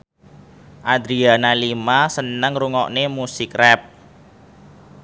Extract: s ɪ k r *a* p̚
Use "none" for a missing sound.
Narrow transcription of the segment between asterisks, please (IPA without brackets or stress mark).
ɛ